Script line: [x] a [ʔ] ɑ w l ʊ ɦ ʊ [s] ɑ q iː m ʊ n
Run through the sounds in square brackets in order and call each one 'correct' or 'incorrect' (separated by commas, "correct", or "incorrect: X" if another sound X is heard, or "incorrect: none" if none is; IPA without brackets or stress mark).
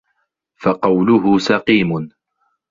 incorrect: f, incorrect: q, correct